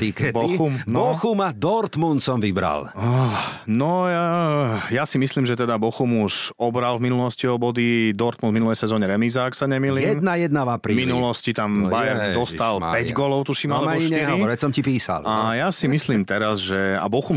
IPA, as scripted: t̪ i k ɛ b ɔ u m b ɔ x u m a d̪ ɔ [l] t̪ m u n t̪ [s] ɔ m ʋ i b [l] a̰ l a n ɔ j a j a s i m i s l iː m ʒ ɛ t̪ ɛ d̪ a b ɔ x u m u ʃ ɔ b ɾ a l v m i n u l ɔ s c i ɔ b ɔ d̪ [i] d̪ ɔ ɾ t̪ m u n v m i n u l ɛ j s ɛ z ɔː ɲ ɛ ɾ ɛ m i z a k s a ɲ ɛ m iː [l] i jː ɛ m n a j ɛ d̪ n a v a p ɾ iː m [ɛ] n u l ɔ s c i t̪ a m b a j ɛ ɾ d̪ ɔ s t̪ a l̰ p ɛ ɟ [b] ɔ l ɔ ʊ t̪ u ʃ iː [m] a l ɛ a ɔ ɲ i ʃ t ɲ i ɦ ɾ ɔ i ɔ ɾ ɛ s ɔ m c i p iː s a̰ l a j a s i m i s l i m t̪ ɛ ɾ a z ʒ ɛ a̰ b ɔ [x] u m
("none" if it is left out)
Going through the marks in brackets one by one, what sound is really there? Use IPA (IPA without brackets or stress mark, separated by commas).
ɾ, s, ɾ, i, l, i, ɡ, m, x